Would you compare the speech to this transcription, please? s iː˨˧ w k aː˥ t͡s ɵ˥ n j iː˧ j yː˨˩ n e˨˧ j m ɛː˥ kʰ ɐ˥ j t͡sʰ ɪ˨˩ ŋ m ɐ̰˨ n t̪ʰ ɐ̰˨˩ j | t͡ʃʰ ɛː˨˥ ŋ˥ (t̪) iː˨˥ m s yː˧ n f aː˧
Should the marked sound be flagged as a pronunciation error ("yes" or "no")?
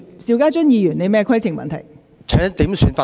no